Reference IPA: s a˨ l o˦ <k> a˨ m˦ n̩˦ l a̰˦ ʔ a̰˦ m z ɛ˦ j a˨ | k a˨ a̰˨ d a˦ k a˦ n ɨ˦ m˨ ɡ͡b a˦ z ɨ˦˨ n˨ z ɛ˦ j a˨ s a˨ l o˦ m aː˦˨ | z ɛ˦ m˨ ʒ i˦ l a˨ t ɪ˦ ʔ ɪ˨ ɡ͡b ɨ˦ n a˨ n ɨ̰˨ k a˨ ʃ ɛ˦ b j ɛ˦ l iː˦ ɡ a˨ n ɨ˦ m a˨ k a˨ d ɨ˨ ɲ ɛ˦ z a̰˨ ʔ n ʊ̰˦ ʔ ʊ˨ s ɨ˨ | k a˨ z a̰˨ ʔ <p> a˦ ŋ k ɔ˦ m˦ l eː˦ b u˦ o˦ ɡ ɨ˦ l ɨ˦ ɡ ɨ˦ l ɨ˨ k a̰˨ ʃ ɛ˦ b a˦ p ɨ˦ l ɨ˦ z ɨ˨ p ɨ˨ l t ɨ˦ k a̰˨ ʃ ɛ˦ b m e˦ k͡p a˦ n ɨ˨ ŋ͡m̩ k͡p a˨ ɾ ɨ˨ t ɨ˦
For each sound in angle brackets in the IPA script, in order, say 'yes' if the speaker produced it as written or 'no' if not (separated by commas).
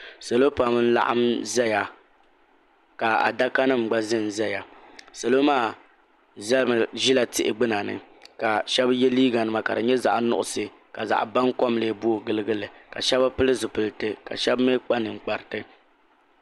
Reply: no, no